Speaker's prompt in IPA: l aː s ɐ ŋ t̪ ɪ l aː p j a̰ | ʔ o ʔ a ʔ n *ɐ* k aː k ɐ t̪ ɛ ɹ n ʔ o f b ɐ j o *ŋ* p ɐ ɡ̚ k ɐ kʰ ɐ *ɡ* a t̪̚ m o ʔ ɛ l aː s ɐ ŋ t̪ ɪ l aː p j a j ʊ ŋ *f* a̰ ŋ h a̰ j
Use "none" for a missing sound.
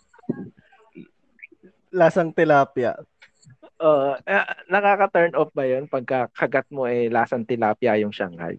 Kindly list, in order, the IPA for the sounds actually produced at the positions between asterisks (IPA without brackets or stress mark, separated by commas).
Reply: ɐ, n, ɡ, ʃ